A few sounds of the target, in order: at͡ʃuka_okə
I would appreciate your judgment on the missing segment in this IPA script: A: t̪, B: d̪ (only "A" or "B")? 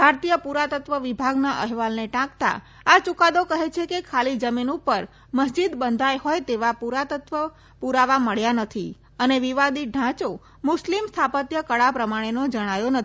B